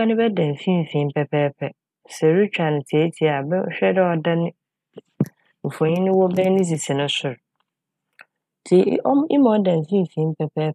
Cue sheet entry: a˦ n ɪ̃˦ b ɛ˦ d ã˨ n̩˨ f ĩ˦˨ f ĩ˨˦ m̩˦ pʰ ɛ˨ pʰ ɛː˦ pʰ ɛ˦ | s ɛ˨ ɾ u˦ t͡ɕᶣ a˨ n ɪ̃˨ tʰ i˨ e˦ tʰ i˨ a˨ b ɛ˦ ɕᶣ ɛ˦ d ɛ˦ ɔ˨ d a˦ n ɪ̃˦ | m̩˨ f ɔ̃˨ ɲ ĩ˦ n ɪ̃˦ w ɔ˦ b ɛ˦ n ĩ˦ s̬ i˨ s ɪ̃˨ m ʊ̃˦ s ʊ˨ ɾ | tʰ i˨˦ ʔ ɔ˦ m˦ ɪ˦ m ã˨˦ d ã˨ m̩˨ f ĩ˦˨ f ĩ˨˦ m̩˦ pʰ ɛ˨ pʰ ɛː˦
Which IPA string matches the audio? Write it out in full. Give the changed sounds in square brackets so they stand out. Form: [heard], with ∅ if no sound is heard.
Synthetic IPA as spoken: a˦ n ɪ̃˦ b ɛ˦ d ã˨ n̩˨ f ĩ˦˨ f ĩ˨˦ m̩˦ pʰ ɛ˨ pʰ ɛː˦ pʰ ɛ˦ | s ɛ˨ ɾ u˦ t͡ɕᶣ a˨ n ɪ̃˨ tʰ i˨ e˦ tʰ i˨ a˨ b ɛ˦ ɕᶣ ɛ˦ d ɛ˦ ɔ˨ d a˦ n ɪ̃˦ | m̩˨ f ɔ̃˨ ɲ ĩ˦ n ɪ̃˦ w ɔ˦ b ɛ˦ n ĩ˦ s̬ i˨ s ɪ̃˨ [n] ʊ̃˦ s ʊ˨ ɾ | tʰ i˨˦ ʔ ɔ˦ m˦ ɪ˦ m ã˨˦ d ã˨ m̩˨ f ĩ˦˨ f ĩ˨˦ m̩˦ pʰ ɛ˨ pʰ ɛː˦